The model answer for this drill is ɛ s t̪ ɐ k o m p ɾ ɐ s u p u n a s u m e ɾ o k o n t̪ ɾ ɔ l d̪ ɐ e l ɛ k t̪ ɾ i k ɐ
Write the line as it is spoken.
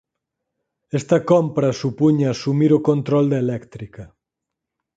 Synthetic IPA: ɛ s t̪ ɐ k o m p ɾ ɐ s u p u ɲ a s u m i ɾ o k o n t̪ ɾ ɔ l d̪ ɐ e l ɛ k t̪ ɾ i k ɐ